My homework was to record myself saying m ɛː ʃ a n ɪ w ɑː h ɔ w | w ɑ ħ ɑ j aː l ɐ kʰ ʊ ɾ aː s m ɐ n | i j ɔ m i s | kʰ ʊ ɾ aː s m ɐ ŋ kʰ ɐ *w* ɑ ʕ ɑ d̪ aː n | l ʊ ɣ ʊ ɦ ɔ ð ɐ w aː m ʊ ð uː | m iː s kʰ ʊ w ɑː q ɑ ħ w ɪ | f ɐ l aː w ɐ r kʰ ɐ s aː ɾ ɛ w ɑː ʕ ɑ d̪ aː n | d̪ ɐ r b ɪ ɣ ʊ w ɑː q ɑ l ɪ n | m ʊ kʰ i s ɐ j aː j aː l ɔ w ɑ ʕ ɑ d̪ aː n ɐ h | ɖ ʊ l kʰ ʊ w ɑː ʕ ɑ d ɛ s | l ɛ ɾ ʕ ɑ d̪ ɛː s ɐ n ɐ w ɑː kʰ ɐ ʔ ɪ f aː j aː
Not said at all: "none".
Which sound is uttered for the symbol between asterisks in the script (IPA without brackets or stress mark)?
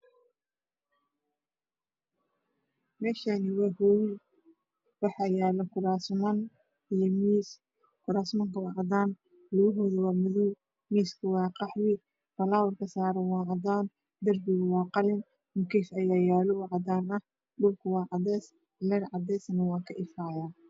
w